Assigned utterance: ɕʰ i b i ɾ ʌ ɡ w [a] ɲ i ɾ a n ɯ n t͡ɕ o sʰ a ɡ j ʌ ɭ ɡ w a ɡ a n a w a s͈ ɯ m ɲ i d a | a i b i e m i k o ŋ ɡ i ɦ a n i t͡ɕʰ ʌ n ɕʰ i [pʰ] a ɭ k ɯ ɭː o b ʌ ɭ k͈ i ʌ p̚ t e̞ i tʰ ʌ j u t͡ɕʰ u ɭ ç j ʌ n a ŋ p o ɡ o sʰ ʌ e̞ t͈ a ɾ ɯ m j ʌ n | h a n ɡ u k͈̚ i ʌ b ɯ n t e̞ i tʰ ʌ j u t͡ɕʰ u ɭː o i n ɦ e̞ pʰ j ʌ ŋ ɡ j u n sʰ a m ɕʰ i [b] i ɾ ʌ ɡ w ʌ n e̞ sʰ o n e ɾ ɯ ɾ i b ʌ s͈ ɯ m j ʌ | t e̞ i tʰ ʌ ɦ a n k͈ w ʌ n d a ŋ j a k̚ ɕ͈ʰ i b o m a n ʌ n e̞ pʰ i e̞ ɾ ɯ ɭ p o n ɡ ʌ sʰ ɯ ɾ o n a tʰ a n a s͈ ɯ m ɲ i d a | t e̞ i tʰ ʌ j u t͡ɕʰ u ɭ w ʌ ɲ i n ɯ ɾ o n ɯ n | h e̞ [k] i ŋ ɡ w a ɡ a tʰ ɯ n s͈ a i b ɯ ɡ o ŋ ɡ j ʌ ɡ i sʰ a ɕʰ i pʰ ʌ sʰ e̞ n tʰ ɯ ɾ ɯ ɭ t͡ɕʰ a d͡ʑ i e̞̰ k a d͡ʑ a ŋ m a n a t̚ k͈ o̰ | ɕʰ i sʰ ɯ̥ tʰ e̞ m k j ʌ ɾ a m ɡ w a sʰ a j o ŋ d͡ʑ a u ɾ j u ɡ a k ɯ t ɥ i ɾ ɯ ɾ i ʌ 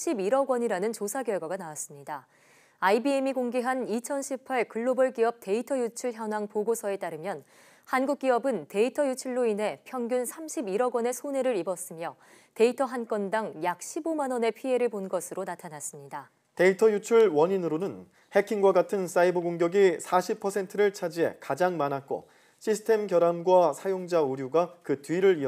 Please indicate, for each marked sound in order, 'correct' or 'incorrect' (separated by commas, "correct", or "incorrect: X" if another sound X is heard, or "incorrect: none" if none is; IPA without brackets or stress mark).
incorrect: ʌ, correct, correct, incorrect: kʰ